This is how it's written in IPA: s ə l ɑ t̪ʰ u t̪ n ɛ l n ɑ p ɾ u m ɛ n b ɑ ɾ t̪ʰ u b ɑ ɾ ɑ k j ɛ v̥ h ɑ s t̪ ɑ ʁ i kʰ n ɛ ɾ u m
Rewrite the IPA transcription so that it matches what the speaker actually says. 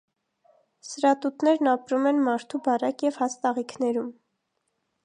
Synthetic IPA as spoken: s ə ɾ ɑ t̪ u t̪ n ɛ ɾ n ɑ p ɾ u m ɛ n m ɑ ɾ t̪ʰ u b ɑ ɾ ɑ k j ɛ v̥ h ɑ s t̪ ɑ ʁ i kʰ n ɛ ɾ u m